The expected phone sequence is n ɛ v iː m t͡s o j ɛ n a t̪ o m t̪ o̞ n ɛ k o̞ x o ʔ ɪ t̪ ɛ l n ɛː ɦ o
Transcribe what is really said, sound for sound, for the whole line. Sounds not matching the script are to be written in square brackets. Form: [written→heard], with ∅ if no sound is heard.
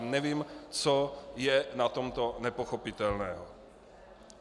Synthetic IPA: n ɛ v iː m t͡s o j ɛ n a t̪ o m t̪ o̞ n ɛ [k→p] o̞ x o [ʔ→p] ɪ t̪ ɛ l n ɛː ɦ o